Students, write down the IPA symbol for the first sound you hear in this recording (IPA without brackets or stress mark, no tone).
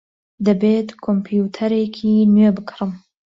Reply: d̪